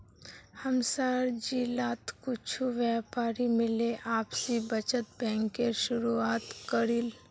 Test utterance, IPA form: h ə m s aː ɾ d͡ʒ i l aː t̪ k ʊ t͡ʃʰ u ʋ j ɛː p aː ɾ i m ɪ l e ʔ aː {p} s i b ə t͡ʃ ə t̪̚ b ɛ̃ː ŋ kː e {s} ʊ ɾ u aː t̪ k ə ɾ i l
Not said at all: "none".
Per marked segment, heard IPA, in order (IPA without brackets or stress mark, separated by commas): p, ʃ